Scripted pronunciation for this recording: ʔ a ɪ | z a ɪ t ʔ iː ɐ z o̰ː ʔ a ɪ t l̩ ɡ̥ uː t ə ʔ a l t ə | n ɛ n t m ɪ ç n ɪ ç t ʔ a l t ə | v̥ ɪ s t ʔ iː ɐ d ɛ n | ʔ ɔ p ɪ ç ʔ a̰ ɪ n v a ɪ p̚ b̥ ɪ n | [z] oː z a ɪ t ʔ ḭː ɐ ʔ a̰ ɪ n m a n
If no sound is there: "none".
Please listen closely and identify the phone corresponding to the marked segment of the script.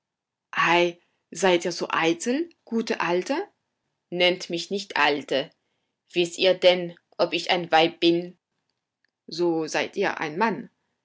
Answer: z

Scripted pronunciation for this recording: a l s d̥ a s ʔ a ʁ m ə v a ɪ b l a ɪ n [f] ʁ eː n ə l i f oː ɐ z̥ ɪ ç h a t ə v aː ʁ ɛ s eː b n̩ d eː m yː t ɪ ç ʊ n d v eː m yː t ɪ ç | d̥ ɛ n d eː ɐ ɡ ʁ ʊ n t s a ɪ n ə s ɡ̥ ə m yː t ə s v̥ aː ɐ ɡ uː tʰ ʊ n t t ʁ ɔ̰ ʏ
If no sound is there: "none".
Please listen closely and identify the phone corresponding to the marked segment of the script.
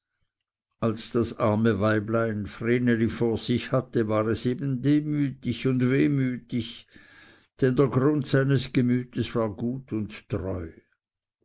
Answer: f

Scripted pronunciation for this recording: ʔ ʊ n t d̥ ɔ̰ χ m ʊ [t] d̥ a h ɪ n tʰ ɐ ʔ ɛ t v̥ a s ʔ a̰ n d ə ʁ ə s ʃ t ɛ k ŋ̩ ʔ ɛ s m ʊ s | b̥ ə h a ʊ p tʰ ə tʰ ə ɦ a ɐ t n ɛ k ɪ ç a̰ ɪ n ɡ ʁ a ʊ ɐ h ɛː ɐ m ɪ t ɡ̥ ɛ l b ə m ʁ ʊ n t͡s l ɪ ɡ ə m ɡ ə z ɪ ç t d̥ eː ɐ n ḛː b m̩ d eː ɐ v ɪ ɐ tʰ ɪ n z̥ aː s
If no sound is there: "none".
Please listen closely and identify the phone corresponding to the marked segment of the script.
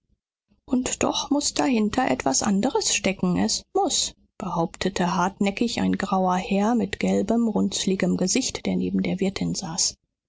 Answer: s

